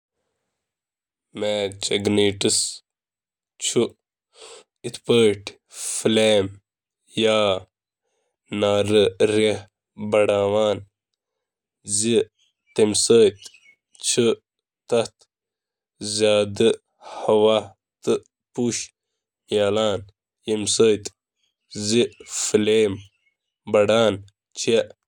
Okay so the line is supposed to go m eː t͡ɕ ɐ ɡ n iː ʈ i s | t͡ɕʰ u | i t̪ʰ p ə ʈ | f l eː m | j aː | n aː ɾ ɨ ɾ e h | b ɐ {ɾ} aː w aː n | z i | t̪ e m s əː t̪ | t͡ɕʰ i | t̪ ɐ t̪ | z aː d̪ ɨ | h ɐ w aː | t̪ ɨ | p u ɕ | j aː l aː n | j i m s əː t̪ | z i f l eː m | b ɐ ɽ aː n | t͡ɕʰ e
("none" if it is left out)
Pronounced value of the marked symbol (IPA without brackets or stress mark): ɽ